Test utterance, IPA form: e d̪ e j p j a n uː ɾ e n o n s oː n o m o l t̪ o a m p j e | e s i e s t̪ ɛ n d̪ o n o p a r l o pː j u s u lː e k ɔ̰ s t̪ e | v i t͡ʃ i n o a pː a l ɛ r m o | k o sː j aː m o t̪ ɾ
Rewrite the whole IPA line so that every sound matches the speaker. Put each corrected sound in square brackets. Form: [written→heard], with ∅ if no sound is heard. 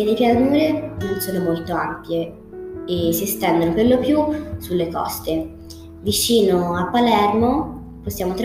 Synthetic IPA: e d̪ e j p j a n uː ɾ e n o n s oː n o m o l t̪ o a m p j e | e s i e s t̪ ɛ n d̪ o n o p [a→e] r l o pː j u s u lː e k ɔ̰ s t̪ e | v i t͡ʃ [i→iː] n o a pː a l ɛ r m o | [k→p] o sː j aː m o t̪ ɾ